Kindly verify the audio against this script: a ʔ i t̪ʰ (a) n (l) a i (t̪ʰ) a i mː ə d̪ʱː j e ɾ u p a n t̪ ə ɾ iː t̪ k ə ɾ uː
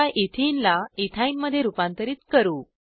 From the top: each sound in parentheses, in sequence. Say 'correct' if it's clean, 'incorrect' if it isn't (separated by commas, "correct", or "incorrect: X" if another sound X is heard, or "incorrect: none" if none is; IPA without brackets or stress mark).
incorrect: i, correct, correct